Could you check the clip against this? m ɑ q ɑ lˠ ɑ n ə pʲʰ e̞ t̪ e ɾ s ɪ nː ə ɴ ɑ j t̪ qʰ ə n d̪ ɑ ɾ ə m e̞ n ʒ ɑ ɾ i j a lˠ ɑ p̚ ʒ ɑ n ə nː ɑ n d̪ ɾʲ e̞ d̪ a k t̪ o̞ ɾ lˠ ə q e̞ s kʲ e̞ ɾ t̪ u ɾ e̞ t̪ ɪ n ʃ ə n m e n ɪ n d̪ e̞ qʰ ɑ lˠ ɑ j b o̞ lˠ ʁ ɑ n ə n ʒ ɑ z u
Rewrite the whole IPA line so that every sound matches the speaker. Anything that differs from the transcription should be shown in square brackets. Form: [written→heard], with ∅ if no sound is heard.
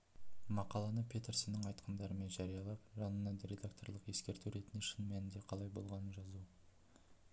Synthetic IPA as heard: m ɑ q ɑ lˠ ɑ n ə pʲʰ e̞ t̪ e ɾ s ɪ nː ə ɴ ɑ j t̪ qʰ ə n d̪ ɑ ɾ ə m e̞ n ʒ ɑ ɾ i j [a→ɑ] lˠ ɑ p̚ ʒ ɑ n ə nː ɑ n d̪ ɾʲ e̞ d̪ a k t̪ o̞ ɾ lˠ ə q e̞ s kʲ e̞ ɾ t̪ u ɾ e̞ t̪ ɪ n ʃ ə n m [e→æ] n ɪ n d̪ e̞ qʰ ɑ lˠ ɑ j b o̞ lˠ ʁ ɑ n ə n ʒ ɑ z u